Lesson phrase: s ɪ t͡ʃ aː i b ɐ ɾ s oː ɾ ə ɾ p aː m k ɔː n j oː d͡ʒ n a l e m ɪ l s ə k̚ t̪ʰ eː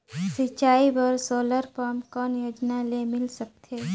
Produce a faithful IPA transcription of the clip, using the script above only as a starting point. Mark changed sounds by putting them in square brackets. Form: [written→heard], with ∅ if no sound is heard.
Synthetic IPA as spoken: s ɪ t͡ʃ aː i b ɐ ɾ s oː [ɾ→l] ə ɾ p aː m k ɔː n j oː d͡ʒ n a l e m ɪ l s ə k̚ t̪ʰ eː